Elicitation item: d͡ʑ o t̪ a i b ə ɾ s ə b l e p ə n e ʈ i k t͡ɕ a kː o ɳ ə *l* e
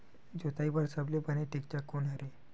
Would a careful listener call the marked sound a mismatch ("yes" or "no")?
yes